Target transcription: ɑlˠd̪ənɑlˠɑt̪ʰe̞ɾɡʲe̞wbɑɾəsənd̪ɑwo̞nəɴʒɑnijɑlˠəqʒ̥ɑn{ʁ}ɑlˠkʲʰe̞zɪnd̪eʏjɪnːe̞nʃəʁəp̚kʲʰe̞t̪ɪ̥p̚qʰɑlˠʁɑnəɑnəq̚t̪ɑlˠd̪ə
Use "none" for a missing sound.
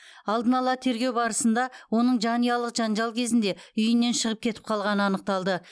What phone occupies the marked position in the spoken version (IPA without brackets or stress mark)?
ʒ